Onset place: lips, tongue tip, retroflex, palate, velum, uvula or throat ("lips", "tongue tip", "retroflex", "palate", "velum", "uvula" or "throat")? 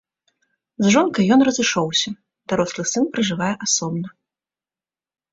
tongue tip